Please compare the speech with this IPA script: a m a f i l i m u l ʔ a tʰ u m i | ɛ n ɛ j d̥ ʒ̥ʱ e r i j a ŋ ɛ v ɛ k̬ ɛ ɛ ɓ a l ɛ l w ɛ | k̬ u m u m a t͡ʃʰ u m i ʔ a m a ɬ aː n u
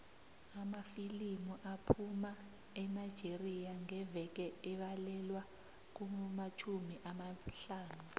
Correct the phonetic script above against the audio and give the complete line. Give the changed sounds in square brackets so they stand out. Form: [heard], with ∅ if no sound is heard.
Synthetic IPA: a m a f i l i m u [∅] ʔ a [pʰ] u m [a] | ɛ n [a] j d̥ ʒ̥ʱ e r i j a ŋ ɛ v ɛ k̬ ɛ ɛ ɓ a l ɛ l w [a] | k̬ u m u m a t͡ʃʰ u m i ʔ a m a ɬ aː n u